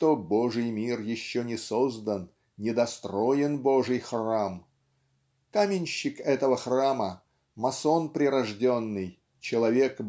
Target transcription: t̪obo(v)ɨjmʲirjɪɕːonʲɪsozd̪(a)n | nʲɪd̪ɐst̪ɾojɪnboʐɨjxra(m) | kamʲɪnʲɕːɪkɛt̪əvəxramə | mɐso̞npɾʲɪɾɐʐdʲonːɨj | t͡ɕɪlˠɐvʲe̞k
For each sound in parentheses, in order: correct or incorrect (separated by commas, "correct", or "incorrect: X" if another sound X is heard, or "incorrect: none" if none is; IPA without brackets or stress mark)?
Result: incorrect: ʐ, incorrect: ə, correct